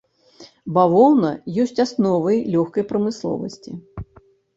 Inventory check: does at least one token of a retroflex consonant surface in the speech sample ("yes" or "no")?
no